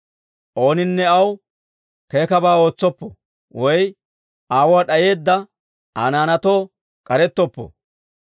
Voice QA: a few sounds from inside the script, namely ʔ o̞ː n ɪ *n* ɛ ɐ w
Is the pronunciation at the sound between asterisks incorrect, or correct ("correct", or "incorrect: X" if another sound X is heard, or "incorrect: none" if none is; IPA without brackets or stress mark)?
incorrect: nː